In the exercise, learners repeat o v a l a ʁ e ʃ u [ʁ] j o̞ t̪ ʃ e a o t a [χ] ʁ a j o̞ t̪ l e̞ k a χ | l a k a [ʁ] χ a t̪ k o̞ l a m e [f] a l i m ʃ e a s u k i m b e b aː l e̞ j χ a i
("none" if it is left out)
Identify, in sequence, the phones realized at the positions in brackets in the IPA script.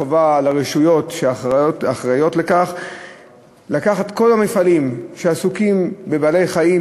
none, χ, none, f

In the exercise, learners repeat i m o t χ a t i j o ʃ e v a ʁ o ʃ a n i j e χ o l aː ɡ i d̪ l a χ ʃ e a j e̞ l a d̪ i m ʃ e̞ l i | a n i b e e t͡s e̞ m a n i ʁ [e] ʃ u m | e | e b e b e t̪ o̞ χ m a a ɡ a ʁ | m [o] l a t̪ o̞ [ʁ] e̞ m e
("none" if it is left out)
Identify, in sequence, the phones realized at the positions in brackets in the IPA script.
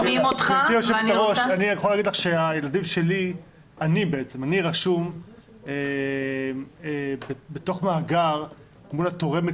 a, u, ʁ

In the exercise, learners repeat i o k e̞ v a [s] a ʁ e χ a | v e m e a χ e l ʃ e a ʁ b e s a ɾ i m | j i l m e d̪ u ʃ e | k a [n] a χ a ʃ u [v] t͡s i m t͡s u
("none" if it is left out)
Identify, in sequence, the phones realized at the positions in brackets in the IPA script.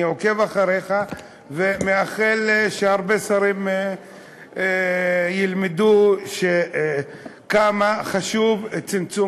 χ, m, v

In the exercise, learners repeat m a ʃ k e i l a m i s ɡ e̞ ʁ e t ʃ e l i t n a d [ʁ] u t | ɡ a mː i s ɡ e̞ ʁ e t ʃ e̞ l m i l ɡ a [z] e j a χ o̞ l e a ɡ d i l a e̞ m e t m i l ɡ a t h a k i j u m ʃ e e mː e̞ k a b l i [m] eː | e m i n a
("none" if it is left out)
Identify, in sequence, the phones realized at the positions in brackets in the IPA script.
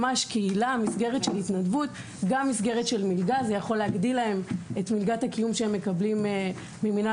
v, z, m

